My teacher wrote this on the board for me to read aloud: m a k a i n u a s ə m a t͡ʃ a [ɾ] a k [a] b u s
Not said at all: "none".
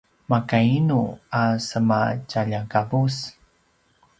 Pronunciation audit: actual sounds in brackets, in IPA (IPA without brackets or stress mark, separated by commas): ʎ, a